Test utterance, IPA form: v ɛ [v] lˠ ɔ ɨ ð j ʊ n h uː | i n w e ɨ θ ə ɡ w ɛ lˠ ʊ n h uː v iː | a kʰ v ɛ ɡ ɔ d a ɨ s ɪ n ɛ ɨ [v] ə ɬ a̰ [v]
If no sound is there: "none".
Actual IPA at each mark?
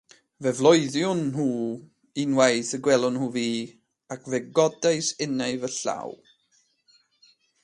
v, v, w

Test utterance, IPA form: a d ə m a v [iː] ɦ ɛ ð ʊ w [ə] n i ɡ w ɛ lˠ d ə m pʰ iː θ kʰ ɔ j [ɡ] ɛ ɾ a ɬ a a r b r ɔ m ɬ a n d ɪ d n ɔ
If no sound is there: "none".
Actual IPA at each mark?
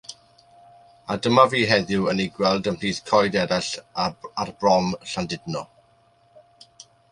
iː, ə, d

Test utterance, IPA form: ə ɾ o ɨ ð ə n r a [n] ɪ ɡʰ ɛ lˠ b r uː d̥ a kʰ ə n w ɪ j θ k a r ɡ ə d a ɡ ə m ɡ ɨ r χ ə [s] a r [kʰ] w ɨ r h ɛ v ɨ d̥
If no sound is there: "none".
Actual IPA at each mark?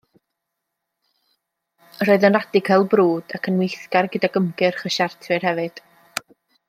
d, ʃ, tʰ

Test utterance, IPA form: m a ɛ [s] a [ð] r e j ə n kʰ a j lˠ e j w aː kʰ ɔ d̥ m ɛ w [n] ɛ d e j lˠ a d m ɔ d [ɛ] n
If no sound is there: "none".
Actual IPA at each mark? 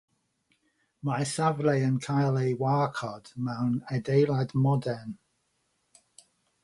s, v, n, ɛ

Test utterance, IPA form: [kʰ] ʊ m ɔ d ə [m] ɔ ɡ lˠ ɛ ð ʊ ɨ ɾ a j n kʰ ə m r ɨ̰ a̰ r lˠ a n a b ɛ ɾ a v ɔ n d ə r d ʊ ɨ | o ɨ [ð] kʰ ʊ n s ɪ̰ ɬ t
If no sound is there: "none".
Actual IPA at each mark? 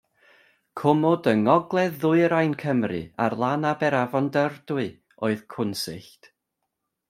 kʰ, ŋ, ð

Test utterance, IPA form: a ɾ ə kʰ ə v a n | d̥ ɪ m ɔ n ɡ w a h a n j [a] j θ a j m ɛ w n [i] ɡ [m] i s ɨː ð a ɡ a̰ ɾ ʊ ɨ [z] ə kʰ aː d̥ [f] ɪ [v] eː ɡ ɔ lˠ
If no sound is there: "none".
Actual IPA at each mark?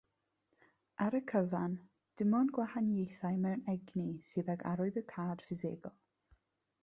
e, ɛ, n, ð, f, z

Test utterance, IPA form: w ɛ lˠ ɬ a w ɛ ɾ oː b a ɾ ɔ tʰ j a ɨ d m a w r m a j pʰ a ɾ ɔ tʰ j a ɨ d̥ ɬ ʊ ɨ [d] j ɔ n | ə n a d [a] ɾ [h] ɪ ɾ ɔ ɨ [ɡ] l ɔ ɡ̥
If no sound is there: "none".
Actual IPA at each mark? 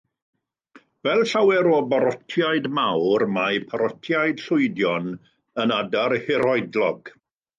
d, a, h, d

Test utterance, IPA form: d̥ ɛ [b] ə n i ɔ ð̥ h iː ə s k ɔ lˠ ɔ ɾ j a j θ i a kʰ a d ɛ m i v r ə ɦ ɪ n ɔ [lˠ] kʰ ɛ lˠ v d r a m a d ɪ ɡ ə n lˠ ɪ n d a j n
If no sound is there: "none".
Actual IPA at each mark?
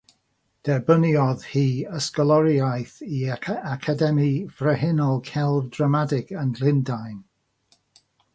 b, lˠ

